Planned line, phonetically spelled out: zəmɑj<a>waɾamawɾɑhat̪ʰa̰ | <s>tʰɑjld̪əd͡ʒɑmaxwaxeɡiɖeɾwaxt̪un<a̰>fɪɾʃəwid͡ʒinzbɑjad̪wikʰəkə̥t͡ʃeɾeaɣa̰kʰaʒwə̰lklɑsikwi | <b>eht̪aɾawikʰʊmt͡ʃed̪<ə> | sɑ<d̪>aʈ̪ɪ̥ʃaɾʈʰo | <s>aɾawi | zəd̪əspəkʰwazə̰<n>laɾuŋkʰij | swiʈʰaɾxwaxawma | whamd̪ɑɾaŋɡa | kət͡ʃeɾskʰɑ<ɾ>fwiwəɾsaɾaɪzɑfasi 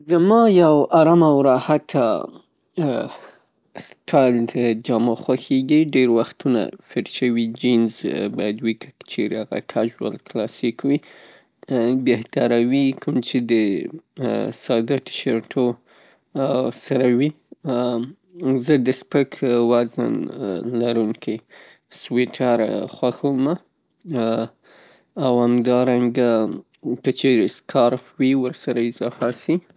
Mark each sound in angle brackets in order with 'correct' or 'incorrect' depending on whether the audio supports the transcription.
correct, correct, correct, correct, correct, correct, correct, correct, correct

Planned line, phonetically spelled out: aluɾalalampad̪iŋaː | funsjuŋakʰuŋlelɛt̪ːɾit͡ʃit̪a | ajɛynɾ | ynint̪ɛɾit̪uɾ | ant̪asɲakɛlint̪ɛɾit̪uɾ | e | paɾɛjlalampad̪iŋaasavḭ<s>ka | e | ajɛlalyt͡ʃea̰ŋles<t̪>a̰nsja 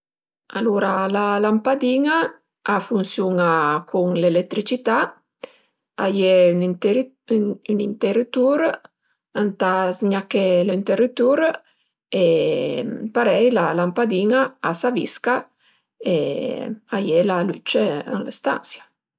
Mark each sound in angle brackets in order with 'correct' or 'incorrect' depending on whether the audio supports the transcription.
correct, correct

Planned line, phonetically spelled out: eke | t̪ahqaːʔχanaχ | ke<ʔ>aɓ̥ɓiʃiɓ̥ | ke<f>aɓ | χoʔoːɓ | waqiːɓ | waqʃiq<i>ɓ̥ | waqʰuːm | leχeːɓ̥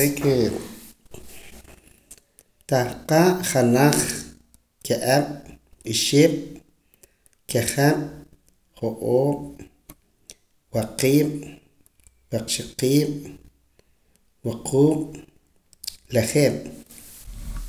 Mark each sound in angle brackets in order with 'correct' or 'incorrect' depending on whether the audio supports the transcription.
correct, incorrect: χ, incorrect: iː

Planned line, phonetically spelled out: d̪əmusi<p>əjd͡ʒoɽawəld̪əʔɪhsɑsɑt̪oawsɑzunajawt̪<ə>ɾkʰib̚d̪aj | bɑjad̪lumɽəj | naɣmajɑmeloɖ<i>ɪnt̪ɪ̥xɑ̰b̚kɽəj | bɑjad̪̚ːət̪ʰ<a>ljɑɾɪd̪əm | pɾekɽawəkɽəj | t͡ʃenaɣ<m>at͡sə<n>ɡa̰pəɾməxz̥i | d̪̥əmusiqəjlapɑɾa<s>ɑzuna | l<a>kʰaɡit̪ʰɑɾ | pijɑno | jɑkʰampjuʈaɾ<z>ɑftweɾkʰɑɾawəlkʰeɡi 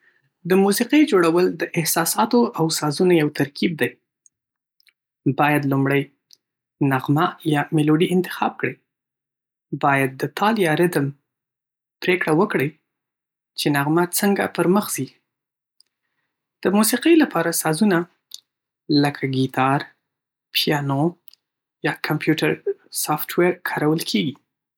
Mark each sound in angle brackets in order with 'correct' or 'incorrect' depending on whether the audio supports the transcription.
incorrect: q, incorrect: a, correct, incorrect: ɑ, correct, incorrect: ŋ, correct, incorrect: ə, incorrect: s

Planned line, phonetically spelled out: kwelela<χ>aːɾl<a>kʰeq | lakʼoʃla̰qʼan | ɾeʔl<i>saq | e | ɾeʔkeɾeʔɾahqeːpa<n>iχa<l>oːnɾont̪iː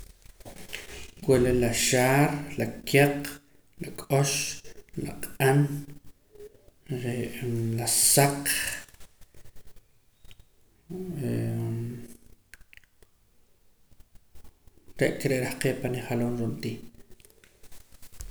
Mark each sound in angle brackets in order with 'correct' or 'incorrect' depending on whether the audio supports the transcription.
incorrect: ʃ, correct, incorrect: a, correct, correct

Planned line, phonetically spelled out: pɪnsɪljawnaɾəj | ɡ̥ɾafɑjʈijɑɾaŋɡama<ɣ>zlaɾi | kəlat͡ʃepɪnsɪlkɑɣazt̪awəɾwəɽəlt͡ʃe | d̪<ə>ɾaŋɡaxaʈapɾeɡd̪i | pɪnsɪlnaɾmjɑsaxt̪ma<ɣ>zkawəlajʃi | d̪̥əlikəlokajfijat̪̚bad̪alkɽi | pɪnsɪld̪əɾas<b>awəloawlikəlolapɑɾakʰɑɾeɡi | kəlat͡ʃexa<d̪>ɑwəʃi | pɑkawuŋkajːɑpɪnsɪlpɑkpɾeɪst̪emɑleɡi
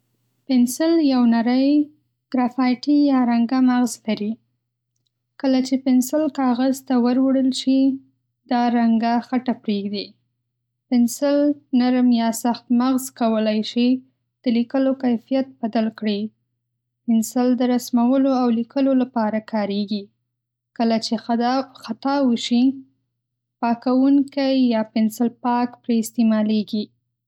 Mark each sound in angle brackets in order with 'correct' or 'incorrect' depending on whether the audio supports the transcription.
correct, incorrect: ɑ, correct, incorrect: m, incorrect: t̪

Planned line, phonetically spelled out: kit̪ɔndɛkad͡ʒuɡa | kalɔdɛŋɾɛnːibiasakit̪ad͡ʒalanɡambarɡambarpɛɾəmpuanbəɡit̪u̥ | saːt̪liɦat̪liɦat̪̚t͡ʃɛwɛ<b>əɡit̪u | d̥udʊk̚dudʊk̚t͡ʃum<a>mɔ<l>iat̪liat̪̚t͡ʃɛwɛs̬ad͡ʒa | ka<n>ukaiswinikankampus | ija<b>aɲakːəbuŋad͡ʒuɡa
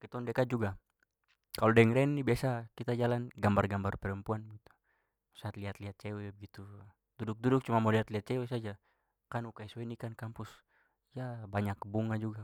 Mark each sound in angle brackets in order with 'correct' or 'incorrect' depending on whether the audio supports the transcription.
correct, correct, correct, correct, correct

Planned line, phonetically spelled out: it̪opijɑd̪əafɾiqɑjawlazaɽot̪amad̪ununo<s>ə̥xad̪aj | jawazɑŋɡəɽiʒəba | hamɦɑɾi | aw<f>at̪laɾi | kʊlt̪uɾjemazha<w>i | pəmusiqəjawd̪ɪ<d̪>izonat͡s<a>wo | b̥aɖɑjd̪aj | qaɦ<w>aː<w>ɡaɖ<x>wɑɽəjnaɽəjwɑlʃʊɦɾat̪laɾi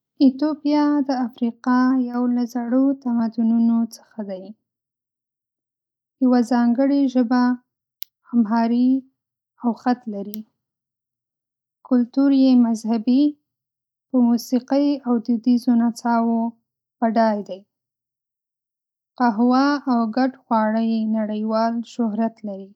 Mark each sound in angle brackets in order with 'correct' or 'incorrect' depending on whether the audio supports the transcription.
incorrect: t͡s, incorrect: x, incorrect: b, correct, incorrect: ɑ, correct, correct, correct

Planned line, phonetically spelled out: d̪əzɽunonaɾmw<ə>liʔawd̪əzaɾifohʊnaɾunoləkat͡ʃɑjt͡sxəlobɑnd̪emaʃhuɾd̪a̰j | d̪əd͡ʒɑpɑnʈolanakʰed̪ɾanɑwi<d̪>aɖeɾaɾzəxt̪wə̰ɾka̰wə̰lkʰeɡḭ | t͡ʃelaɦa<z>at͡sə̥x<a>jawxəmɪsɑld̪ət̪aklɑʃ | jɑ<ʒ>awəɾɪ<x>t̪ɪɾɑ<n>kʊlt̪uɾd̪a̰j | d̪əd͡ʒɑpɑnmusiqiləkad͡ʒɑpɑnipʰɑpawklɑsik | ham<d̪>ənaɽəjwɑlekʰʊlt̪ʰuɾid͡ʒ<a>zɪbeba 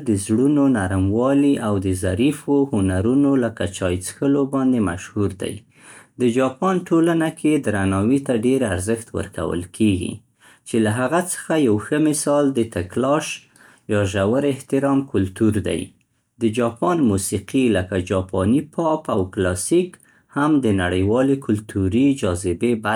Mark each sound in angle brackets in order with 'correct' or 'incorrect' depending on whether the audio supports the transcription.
incorrect: ɑ, incorrect: t̪, incorrect: ɣ, correct, correct, incorrect: h, incorrect: m, correct, incorrect: ɑ

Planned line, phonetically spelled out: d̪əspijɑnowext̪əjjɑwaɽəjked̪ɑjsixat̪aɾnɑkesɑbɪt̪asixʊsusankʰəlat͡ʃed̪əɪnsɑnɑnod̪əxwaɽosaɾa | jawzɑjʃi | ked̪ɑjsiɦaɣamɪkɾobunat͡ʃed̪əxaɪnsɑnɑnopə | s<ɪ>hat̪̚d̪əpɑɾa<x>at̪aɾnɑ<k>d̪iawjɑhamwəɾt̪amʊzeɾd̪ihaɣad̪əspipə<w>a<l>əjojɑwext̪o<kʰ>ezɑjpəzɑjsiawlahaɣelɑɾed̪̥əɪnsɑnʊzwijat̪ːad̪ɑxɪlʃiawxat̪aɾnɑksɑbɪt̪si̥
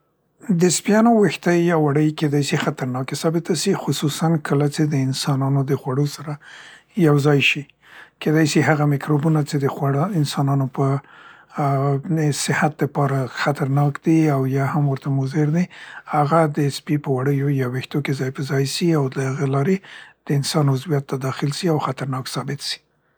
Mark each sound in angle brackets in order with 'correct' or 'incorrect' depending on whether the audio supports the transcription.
correct, correct, correct, correct, incorrect: ɽ, incorrect: k

